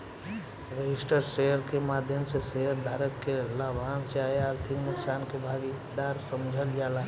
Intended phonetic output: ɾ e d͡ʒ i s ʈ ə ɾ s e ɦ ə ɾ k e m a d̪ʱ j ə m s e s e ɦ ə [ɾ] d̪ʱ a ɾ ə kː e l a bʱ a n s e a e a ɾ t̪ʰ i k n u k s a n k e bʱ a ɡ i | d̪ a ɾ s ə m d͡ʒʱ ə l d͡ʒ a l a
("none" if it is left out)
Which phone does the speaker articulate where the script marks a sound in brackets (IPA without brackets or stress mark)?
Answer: ɾ